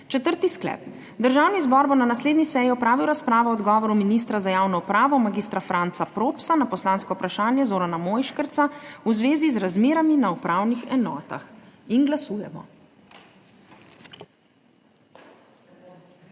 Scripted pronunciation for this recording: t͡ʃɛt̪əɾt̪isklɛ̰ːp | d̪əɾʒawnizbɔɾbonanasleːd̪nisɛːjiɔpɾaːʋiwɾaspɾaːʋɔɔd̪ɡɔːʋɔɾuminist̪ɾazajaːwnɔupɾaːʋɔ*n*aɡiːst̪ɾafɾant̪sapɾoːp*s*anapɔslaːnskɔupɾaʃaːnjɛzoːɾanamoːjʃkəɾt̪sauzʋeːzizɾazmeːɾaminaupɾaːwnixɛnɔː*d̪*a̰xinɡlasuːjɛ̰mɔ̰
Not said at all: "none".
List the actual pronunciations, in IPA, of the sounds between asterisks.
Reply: m, s, t̪

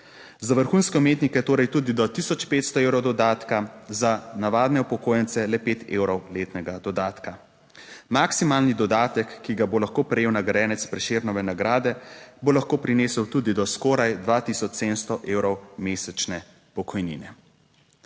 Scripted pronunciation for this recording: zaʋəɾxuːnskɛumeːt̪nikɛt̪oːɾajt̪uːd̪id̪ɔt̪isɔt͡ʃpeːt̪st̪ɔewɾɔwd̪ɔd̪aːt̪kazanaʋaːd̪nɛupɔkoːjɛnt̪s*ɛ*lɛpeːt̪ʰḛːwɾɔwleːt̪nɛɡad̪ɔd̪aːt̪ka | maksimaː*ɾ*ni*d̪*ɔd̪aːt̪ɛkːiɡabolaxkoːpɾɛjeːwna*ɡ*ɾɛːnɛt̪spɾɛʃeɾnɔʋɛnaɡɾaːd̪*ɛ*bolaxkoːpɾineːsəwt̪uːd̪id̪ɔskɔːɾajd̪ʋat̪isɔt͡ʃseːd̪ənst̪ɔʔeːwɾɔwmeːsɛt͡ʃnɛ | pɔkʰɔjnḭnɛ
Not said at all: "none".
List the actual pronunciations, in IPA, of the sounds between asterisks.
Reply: ɛ, l, d̪, ɡ, ɛ

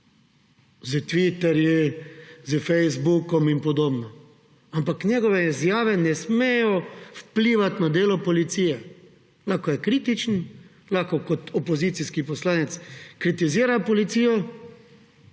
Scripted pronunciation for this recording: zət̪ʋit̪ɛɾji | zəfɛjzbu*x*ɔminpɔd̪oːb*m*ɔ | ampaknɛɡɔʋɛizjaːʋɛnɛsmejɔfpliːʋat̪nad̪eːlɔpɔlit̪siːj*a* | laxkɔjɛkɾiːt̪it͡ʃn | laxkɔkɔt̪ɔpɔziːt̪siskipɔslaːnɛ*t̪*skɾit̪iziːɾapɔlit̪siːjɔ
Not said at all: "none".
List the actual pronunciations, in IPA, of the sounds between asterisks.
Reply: k, n, ɛ, t̪

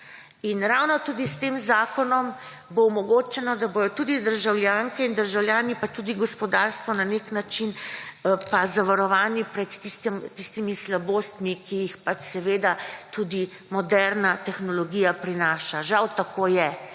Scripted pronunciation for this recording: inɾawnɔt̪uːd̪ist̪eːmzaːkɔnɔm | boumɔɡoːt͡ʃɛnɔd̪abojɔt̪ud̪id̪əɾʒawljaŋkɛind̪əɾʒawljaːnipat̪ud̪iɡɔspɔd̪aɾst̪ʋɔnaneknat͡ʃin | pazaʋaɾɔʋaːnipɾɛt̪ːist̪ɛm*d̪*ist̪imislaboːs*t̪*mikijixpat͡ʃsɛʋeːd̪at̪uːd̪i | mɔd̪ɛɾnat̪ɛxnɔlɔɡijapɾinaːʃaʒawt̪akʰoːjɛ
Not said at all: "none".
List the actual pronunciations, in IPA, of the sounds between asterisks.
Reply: t̪, t̪

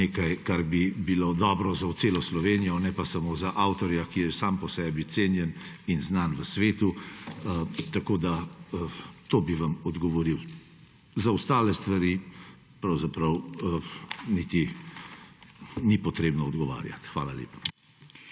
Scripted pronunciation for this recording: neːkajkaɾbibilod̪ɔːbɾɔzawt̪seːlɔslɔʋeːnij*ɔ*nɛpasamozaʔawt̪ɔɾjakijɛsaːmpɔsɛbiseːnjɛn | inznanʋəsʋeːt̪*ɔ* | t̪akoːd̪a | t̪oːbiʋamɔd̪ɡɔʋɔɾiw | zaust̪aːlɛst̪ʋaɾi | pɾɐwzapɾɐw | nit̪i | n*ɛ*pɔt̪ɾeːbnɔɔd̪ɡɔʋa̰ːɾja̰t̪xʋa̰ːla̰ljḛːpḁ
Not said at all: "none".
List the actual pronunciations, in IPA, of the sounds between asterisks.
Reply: ɔ, u, i

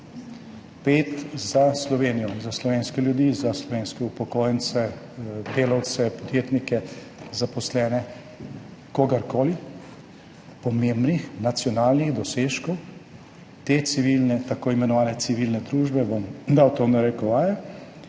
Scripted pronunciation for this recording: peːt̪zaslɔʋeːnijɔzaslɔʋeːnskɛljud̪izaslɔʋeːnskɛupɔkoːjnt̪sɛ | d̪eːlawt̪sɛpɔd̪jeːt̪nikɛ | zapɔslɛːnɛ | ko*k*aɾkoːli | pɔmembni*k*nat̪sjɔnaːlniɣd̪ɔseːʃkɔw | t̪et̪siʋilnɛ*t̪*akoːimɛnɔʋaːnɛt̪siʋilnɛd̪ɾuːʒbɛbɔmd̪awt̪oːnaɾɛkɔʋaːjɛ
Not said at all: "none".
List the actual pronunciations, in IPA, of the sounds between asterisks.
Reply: ɡ, x, t̪

